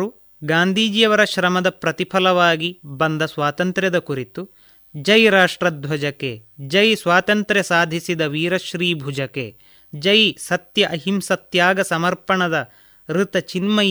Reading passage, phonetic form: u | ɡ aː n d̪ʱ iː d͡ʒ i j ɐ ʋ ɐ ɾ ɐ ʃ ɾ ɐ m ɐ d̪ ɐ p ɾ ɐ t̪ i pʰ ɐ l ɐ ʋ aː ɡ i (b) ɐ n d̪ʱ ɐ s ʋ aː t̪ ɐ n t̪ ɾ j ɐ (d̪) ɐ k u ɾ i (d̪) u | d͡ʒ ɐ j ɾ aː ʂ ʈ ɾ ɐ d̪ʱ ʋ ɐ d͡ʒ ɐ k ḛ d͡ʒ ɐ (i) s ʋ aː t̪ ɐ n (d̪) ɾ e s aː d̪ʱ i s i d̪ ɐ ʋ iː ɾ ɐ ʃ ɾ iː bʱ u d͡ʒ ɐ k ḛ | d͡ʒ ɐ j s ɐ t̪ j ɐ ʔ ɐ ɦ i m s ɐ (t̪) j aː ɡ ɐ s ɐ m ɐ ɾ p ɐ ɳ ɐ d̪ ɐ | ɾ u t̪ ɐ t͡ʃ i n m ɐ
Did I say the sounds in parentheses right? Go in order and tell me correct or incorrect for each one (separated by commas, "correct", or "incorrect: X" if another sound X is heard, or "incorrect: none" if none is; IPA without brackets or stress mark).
correct, correct, incorrect: t̪, incorrect: j, incorrect: t̪, correct